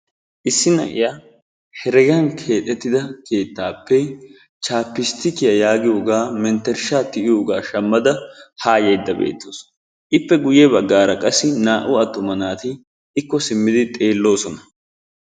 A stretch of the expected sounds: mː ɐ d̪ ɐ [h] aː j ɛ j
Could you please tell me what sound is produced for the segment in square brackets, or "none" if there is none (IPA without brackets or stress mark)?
h